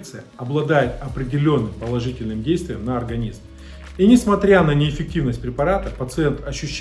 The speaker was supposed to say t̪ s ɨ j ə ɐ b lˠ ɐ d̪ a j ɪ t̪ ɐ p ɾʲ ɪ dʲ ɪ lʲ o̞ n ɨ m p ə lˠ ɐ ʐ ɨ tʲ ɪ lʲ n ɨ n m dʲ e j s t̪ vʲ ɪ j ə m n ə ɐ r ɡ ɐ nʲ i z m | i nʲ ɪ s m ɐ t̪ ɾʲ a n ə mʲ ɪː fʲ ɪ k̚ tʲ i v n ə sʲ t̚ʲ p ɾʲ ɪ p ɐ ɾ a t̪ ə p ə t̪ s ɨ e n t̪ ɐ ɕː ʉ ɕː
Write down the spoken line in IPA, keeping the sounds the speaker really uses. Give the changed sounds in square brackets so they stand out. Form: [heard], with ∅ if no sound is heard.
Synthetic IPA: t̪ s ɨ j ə ɐ b lˠ ɐ d̪ a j ɪ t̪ ɐ p ɾʲ ɪ dʲ ɪ lʲ o̞ [nː] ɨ m p ə lˠ ɐ ʐ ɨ tʲ ɪ lʲ n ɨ [∅] m dʲ e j s t̪ vʲ ɪ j ə m n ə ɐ r ɡ ɐ nʲ i z m | i nʲ ɪ s m ɐ t̪ ɾʲ a n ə [nʲ] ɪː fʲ ɪ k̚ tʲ i v n ə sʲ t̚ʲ p ɾʲ ɪ p ɐ ɾ a t̪ ə p ə t̪ s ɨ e n t̪ ɐ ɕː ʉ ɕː